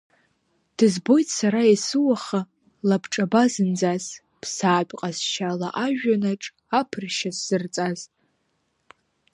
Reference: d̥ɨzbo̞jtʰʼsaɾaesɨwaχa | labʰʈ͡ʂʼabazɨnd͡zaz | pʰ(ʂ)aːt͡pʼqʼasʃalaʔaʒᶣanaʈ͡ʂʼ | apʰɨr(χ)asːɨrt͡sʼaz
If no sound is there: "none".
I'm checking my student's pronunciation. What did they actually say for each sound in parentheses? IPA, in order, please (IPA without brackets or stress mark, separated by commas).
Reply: s, ʃ